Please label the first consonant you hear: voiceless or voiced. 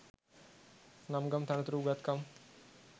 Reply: voiced